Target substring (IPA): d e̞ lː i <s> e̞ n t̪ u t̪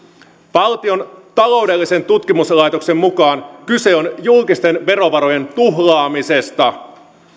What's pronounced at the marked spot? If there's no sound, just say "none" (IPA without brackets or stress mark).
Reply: s